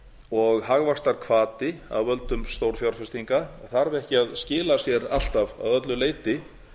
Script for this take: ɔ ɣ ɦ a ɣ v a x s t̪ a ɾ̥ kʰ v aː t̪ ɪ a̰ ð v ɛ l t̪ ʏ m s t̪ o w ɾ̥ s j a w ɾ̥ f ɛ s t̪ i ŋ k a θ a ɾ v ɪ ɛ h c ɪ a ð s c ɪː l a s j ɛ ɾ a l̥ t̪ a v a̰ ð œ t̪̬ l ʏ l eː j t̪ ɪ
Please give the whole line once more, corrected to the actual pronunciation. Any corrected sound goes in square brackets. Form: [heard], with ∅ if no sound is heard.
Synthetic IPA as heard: ɔ ɣ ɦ a ɣ v a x s t̪ a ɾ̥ kʰ v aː t̪ ɪ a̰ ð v [œ] l t̪ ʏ m s t̪ o w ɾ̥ [f] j a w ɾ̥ f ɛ s t̪ i ŋ k a θ a ɾ v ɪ ɛ h c ɪ a ð s c ɪː l a s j ɛ ɾ a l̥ t̪ a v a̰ ð œ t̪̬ l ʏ l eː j t̪ ɪ